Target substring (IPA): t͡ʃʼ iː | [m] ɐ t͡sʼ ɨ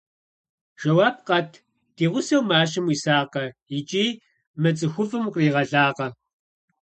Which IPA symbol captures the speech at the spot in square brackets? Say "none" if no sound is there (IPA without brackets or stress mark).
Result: m